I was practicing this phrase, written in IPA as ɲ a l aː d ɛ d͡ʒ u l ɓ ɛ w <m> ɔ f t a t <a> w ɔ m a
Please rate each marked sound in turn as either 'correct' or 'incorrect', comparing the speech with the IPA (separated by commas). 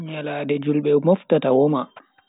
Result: correct, correct